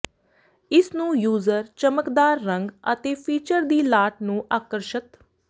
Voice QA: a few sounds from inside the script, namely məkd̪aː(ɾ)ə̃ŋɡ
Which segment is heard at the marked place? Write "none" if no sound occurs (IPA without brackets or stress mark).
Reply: ɾː